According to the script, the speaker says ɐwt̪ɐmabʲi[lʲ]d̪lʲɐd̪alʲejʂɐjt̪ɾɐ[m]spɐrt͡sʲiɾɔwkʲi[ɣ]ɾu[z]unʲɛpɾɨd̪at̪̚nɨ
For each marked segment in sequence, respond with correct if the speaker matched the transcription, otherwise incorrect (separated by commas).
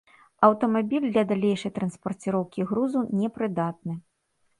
correct, incorrect, correct, correct